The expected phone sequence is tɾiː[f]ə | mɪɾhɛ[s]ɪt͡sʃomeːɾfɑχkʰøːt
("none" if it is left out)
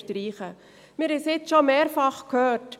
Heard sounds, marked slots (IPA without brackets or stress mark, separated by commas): χ, s